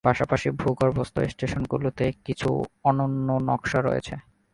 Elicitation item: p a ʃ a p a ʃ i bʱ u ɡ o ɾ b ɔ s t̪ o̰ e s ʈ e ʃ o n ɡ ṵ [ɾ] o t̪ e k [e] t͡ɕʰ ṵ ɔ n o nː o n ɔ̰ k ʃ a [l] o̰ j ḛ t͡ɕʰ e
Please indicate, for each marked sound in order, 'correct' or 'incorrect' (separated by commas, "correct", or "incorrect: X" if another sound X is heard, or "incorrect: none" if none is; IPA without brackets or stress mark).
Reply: incorrect: l, incorrect: i, incorrect: ɾ